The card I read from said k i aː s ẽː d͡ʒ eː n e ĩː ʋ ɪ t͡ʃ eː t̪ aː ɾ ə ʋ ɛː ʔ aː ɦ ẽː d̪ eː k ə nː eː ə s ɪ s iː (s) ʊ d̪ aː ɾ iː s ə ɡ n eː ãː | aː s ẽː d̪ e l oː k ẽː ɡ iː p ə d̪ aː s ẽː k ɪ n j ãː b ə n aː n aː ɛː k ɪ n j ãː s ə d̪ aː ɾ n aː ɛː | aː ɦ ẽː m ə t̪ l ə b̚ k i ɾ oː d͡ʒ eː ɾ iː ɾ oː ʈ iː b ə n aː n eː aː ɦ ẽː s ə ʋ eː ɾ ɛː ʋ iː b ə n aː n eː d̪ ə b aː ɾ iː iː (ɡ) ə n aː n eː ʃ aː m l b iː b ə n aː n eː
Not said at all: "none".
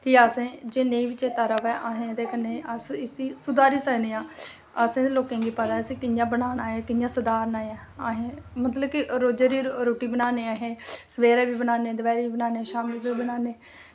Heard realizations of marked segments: s, b

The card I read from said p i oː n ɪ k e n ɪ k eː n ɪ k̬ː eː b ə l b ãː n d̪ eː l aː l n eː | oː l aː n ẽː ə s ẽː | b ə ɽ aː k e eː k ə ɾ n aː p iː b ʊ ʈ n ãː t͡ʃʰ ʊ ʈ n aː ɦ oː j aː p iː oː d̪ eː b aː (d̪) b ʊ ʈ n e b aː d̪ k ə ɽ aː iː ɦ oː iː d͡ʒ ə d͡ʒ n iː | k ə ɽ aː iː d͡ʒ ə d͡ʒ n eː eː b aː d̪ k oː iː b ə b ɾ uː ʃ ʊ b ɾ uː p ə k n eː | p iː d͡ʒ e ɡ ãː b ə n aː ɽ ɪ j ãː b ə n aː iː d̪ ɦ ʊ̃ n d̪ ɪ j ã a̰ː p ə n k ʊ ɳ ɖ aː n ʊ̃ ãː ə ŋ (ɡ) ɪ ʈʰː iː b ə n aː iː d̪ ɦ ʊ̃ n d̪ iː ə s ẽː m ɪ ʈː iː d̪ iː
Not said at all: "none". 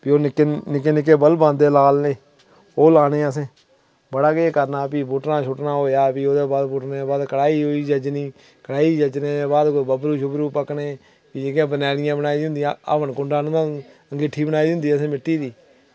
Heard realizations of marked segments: d̪, ɡ

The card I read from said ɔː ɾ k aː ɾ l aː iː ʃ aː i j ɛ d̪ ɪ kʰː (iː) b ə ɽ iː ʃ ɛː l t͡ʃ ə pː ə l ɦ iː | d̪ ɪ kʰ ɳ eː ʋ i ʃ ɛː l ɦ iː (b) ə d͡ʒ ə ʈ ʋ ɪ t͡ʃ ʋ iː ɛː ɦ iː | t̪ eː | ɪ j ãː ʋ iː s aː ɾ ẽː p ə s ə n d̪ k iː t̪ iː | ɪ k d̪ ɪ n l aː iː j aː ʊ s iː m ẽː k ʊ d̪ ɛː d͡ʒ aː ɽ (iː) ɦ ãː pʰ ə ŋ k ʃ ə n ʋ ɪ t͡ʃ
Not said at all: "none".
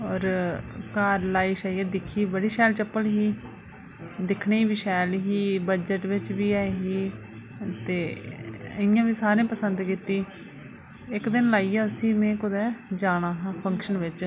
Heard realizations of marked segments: iː, b, aː

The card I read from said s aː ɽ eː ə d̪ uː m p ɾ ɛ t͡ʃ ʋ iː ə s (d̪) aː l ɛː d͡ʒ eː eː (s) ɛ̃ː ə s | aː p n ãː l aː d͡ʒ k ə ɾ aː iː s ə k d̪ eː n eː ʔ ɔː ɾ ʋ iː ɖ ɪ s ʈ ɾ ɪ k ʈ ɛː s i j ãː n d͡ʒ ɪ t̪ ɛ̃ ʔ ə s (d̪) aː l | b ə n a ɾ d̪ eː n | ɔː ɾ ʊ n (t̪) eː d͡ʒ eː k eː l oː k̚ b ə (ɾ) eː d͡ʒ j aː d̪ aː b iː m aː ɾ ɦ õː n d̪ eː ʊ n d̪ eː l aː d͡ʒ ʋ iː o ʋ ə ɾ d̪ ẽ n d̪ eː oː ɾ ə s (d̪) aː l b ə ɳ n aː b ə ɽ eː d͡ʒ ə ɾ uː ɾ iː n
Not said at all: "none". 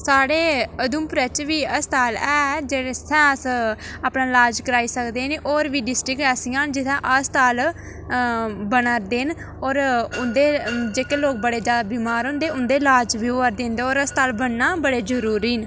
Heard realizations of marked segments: t̪, s, t̪, d̪, ɽ, t̪

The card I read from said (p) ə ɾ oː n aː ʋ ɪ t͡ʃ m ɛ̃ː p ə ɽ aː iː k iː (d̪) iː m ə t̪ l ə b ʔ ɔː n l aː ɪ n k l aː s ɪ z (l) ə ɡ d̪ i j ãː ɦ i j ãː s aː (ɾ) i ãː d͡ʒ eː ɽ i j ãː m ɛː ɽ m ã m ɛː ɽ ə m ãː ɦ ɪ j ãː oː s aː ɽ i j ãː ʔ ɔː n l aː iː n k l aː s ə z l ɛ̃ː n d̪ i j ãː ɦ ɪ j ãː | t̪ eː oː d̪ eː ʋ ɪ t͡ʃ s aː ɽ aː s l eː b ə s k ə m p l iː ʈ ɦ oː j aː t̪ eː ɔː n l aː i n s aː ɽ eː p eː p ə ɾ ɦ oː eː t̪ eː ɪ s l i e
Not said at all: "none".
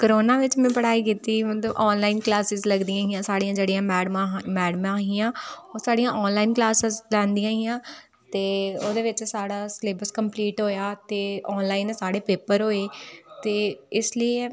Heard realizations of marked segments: k, t̪, l, ɽ

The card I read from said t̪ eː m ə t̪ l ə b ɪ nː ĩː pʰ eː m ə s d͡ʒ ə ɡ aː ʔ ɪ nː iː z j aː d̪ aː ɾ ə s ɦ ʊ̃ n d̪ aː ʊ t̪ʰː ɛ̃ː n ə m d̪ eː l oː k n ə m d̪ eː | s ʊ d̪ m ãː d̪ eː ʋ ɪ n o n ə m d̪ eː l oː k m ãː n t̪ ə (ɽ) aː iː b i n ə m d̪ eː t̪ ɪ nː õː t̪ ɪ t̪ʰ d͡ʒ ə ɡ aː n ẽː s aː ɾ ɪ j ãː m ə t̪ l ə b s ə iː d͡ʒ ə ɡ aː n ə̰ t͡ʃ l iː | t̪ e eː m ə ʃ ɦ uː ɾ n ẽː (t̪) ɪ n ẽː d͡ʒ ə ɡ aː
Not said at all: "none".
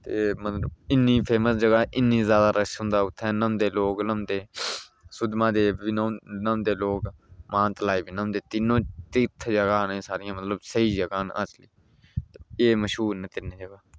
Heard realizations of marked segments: l, t̪

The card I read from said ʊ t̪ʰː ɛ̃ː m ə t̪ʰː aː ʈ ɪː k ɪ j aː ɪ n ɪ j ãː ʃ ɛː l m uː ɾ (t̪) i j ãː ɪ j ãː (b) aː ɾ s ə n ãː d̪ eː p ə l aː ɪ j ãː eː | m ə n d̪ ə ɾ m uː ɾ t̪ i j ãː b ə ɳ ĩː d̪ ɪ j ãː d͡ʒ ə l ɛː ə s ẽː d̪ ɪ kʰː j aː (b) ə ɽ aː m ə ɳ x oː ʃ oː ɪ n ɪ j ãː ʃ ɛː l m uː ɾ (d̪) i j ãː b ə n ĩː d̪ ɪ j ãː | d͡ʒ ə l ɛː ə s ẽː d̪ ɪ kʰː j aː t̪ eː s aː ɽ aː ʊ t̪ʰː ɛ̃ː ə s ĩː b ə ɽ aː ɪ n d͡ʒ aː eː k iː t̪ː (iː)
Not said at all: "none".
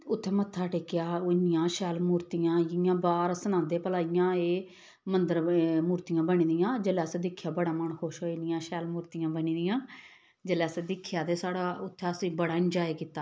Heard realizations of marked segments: t̪, b, b, t̪, aː

